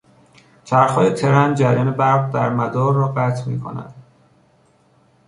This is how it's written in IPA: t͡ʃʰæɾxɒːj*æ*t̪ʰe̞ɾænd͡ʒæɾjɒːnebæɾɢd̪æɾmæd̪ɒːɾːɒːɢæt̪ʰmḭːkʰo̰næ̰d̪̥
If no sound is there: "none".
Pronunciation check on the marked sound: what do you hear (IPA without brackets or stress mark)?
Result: e